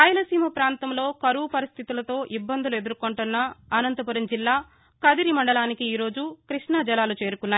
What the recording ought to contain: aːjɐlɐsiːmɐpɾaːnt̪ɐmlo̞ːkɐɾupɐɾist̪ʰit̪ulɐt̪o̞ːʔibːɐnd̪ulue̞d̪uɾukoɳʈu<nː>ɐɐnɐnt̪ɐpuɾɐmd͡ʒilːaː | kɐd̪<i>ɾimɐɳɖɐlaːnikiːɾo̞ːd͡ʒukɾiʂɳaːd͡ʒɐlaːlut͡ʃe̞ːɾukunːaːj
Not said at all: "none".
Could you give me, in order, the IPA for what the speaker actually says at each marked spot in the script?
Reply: nː, i

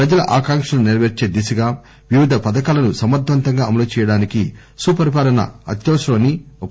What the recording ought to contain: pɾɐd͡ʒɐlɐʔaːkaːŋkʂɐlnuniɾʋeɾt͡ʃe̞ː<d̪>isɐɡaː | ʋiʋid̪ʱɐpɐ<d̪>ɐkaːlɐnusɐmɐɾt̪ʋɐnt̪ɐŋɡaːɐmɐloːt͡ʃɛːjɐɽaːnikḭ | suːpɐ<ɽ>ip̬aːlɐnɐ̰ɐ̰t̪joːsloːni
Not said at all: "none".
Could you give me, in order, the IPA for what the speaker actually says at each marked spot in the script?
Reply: d̪, d̪, ɾ

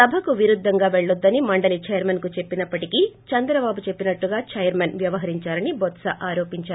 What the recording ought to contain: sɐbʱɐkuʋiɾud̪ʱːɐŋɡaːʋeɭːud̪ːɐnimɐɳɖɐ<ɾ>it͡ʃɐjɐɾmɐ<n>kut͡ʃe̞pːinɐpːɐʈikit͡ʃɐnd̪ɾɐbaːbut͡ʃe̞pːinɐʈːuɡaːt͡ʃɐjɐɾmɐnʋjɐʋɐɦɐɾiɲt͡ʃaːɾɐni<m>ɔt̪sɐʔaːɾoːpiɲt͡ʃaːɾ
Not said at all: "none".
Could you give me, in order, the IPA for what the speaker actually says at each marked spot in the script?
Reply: l, n, b

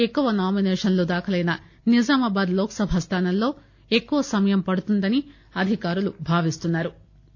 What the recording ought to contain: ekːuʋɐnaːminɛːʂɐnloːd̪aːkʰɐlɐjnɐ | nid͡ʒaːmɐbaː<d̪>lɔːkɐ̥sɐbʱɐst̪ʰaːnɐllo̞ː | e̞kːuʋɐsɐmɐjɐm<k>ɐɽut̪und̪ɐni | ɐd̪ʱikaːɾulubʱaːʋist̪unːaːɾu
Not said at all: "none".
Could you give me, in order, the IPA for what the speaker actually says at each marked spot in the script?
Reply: d̪, p

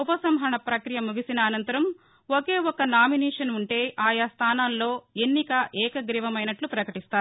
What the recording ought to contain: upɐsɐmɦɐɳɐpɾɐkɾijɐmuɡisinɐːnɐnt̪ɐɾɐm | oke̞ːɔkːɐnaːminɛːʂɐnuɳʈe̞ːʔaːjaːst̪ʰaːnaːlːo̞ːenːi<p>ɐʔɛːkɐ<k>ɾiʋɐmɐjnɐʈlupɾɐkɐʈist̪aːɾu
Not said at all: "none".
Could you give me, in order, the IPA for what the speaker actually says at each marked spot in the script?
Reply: k, ɡ

